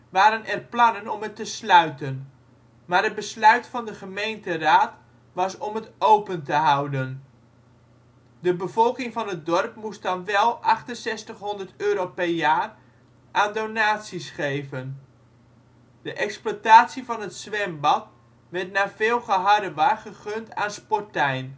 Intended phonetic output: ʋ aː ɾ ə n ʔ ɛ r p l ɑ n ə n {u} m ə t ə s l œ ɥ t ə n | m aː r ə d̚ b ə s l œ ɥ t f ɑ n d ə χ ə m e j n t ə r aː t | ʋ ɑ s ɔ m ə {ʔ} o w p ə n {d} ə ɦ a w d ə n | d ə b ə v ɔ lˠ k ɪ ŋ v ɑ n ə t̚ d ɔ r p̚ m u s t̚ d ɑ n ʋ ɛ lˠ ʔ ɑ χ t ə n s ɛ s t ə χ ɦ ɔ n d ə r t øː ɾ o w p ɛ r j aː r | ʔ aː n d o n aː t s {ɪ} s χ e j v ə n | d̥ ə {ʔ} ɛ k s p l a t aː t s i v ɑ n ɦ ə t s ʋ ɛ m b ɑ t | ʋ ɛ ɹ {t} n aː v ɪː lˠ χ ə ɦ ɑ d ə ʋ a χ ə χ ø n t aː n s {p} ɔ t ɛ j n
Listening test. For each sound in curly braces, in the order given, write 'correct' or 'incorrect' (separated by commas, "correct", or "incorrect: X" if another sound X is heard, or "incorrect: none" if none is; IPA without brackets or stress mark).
incorrect: ɔ, incorrect: t, incorrect: t, incorrect: i, correct, correct, correct